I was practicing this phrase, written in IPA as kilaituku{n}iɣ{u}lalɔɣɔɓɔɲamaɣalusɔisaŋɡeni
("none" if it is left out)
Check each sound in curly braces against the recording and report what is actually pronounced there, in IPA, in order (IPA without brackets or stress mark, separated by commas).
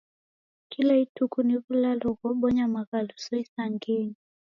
n, u